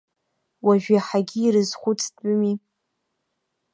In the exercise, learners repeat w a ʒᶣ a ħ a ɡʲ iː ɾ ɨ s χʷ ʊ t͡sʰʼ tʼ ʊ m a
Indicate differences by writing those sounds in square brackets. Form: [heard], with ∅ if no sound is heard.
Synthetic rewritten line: w a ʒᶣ a ħ a ɡʲ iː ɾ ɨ [z] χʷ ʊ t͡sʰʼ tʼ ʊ m [i]